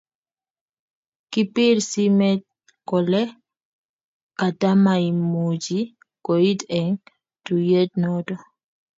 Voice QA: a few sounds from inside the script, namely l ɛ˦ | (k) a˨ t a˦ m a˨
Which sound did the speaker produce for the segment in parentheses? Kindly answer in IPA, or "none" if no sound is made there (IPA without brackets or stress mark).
k